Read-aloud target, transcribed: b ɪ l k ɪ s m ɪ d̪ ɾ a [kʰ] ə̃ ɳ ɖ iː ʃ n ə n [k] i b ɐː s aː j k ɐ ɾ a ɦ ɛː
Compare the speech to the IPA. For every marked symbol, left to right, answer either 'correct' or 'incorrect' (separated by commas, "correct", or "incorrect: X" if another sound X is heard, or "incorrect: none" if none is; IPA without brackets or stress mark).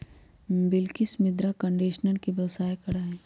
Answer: incorrect: k, correct